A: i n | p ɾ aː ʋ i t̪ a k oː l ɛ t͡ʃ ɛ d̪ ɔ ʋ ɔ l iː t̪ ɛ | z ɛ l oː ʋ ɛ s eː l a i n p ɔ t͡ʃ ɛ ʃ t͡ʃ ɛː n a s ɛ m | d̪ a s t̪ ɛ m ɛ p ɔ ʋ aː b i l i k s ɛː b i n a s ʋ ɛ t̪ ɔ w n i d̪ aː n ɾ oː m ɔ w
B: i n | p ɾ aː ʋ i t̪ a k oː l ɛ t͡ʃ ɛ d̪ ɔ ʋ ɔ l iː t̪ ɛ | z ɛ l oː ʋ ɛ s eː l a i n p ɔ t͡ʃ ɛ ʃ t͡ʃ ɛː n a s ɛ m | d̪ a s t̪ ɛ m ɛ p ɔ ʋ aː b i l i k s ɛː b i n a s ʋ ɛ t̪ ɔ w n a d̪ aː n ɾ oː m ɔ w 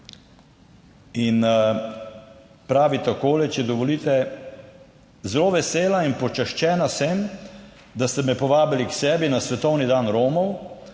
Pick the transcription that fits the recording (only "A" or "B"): A